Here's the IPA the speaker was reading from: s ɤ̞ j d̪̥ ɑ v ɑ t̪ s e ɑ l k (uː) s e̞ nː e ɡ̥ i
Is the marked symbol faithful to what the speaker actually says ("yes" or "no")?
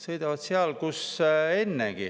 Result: no